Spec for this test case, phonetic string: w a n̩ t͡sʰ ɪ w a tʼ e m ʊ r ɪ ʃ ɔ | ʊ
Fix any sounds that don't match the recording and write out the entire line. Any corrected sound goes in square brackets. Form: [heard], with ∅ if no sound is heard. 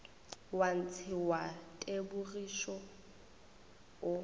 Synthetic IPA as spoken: w a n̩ t͡sʰ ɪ w a tʼ e [b] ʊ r [i] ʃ ɔ | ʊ